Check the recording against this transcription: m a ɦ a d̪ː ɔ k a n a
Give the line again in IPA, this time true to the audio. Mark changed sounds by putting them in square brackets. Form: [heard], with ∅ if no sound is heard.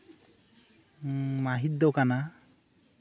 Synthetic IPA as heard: m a ɦ [i] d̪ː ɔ k a n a